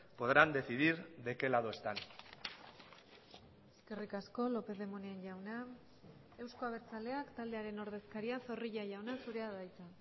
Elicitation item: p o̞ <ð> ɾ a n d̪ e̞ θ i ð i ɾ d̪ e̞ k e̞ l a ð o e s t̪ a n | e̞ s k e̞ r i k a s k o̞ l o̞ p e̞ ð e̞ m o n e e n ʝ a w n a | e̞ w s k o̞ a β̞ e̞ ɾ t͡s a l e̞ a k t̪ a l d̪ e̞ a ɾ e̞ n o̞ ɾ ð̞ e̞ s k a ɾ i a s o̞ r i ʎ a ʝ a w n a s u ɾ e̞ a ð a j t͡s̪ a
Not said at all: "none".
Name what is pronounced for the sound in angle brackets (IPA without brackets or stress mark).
ð